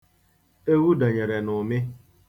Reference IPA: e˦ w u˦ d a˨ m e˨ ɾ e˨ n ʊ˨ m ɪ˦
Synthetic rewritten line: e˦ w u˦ d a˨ ɲ e˨ ɾ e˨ n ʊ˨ m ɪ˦